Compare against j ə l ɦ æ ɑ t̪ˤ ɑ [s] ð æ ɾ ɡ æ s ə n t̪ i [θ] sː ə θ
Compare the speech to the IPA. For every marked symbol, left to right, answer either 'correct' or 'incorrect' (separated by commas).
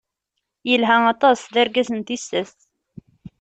correct, incorrect